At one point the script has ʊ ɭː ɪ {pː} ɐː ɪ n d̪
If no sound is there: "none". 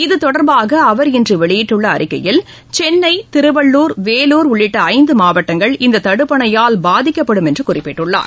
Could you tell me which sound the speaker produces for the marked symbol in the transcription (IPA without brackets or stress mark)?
ʈː